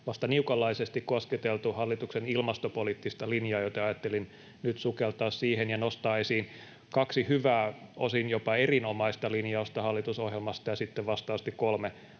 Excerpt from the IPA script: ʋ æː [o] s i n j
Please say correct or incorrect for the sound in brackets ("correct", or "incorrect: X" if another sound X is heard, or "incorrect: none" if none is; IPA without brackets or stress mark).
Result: correct